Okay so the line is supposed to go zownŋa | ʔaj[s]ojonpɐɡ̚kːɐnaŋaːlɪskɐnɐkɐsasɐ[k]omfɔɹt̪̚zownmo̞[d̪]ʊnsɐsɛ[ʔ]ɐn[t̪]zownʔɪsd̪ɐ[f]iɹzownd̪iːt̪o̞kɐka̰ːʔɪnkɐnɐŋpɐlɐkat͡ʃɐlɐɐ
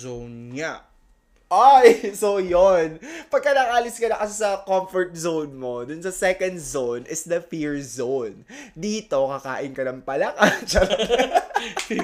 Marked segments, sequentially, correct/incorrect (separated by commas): correct, correct, correct, incorrect, incorrect, correct